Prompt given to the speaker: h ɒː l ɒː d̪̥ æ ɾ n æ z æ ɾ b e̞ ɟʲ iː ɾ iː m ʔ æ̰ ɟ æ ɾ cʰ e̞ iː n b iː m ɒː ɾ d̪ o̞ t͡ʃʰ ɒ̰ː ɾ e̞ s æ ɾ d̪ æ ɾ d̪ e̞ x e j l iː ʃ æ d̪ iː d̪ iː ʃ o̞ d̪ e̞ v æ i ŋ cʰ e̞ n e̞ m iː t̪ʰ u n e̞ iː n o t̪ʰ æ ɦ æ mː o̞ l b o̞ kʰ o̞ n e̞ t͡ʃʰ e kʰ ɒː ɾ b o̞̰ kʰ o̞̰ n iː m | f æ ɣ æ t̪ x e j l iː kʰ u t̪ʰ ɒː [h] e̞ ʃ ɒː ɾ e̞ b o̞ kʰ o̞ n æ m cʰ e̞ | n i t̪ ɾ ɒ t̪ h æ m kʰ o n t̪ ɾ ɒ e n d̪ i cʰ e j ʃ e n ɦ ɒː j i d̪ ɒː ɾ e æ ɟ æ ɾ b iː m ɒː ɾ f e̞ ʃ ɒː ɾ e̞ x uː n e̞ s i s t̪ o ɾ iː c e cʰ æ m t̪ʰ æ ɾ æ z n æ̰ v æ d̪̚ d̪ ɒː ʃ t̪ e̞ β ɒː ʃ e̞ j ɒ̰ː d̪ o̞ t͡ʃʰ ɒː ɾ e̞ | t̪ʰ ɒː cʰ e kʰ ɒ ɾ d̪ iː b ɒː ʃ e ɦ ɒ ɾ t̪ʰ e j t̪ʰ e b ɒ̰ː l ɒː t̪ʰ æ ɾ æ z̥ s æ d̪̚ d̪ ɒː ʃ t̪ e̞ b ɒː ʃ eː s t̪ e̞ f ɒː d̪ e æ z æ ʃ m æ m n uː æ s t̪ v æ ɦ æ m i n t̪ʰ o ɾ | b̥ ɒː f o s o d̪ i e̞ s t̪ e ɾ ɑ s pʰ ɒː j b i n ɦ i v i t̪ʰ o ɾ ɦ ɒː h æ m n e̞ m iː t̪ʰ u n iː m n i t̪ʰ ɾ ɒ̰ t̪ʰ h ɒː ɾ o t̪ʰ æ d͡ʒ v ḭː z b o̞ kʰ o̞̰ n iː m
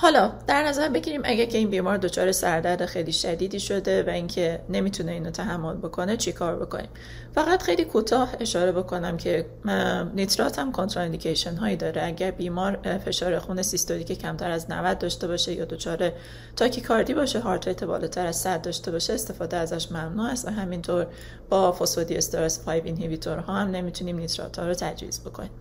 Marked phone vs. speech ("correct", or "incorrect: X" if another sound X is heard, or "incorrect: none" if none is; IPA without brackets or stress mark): correct